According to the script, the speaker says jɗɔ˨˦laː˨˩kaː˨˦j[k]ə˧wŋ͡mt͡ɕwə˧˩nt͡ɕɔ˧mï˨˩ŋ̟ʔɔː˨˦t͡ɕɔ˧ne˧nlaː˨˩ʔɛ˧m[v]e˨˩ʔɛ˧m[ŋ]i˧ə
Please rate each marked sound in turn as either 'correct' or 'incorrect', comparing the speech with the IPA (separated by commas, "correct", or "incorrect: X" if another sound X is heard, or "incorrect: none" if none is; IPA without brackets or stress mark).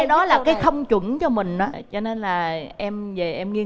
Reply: incorrect: x, correct, correct